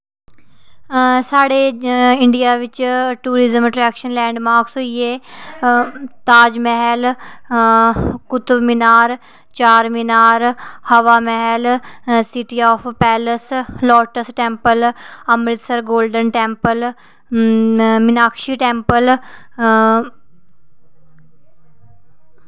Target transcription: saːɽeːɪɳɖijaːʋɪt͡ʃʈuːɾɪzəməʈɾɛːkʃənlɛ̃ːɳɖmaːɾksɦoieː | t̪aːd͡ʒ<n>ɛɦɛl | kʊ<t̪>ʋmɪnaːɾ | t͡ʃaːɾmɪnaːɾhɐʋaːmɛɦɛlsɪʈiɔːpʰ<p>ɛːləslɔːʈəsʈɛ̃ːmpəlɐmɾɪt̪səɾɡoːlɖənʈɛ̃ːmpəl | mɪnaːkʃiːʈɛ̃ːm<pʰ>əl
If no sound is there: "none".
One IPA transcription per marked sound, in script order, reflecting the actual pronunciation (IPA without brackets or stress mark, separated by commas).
m, t̪, p, p